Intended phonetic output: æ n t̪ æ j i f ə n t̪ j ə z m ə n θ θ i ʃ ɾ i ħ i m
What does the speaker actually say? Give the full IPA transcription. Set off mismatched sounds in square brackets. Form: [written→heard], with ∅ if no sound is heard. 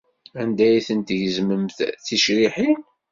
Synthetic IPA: æ n [t̪→d̪] æ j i [f→θ] ə n t̪ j ə z m ə [n→m] θ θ i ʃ ɾ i ħ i [m→n]